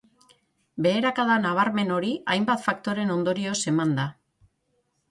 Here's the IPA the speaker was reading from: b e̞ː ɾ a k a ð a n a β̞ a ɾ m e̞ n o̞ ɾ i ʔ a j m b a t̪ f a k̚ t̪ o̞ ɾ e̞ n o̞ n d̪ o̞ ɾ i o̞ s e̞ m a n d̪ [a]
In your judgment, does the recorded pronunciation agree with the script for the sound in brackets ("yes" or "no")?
yes